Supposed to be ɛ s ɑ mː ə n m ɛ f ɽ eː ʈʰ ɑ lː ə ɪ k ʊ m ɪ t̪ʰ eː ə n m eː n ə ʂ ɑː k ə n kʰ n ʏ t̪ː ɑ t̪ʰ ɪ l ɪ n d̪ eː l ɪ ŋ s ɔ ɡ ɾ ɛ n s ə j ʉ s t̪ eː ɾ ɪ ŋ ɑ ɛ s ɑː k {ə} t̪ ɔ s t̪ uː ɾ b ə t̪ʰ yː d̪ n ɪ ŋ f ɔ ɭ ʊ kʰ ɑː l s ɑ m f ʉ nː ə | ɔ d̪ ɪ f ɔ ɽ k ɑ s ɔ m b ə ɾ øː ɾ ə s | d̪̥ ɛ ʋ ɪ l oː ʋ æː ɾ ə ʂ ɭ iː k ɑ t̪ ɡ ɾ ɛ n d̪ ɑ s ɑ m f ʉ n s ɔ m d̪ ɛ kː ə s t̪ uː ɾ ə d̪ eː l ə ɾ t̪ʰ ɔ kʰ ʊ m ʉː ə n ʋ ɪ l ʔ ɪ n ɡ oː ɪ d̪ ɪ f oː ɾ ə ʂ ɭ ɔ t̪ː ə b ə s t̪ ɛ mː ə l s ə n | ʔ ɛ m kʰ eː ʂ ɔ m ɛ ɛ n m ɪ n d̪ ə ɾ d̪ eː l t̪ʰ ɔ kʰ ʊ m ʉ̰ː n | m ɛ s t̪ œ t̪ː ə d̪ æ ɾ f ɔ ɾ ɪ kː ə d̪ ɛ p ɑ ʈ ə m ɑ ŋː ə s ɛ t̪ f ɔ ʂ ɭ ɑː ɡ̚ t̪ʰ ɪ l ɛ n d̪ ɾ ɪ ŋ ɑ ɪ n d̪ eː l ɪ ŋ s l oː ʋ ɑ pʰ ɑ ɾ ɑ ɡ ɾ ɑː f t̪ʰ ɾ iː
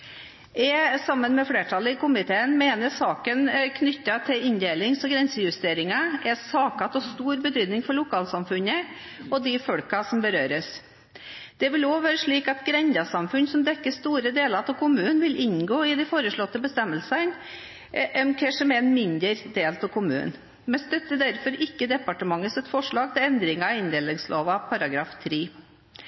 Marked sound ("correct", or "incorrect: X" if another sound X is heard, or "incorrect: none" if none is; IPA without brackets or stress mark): incorrect: ɑ